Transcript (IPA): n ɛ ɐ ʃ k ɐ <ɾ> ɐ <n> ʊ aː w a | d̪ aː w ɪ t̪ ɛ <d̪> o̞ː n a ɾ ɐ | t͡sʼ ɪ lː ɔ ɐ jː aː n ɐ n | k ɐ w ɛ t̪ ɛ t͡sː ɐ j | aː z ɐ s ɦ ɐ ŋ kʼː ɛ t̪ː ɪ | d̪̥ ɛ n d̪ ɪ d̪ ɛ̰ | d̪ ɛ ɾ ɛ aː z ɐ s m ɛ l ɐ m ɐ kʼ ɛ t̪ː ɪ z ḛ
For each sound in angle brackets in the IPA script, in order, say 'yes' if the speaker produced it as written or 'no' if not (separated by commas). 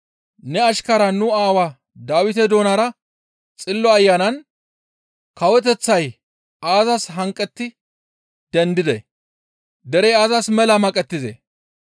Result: yes, yes, yes